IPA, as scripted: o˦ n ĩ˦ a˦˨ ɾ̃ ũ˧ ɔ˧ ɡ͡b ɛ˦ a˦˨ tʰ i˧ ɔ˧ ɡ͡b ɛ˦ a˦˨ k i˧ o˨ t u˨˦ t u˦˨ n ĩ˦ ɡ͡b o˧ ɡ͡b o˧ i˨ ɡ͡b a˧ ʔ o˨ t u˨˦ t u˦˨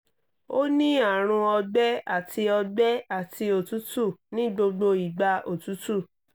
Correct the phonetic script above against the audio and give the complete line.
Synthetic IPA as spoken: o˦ n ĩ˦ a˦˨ ɾ̃ ũ˧ ɔ˧ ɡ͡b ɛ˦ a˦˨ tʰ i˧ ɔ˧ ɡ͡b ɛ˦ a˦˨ t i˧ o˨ t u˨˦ t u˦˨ n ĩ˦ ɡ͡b o˧ ɡ͡b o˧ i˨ ɡ͡b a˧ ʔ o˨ t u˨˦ t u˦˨